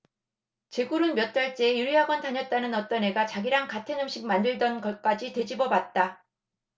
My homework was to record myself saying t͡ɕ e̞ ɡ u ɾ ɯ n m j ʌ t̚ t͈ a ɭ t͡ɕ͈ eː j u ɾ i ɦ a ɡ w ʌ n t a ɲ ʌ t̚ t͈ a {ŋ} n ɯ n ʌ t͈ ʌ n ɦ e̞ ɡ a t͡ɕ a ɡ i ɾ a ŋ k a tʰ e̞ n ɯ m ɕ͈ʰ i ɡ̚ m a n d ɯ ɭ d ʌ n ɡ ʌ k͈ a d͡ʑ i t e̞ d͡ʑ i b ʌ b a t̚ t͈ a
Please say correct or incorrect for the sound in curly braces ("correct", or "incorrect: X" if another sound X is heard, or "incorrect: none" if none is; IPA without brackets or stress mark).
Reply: incorrect: none